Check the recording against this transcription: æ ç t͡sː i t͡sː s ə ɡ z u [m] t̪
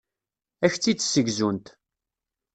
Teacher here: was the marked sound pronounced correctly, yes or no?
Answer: no